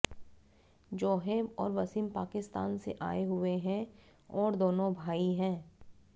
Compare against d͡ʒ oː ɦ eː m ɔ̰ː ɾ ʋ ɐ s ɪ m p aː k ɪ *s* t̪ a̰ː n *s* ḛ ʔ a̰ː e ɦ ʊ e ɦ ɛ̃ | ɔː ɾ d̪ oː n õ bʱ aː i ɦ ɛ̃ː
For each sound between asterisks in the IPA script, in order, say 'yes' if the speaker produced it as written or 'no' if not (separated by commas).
yes, yes